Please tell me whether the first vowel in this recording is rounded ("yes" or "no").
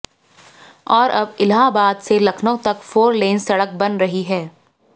yes